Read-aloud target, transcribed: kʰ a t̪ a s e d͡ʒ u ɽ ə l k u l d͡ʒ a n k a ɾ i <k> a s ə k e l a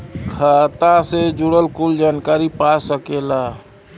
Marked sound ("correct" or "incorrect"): incorrect